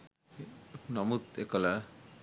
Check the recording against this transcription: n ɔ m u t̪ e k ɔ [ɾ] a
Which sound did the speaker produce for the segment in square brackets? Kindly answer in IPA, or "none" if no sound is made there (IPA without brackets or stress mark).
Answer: l